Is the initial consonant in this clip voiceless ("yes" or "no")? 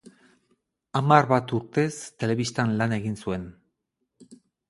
no